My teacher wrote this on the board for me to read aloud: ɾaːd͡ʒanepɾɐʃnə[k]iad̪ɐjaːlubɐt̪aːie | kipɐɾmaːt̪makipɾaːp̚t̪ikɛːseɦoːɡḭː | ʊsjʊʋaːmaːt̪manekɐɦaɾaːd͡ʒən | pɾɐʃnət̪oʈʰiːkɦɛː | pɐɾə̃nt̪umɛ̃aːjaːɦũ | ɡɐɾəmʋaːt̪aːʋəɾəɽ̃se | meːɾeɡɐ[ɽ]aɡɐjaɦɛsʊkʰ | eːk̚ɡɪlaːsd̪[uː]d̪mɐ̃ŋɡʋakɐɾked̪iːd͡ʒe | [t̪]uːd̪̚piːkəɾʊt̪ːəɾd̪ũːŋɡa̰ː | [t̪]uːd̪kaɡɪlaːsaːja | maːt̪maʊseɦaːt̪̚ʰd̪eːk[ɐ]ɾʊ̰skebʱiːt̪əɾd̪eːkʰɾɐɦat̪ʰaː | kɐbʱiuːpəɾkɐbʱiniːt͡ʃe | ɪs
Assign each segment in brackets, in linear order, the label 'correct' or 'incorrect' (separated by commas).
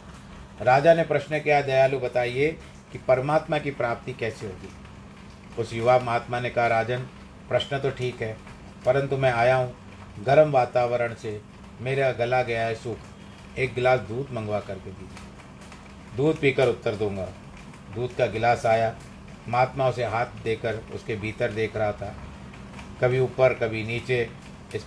correct, incorrect, correct, incorrect, incorrect, incorrect